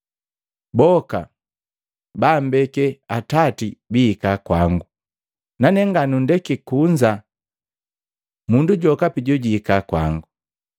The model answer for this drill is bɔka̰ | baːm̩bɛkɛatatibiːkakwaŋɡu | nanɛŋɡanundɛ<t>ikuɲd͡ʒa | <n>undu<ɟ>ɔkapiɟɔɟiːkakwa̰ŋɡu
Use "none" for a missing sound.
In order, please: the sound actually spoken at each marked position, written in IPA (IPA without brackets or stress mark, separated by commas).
k, m, ɟ